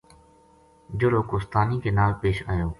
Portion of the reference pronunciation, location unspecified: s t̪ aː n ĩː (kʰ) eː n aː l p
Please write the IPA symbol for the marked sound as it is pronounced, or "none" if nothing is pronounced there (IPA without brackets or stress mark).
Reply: k